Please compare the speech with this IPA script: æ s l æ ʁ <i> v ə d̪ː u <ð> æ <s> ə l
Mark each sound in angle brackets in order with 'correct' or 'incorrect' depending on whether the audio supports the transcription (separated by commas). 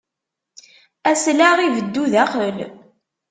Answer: correct, correct, incorrect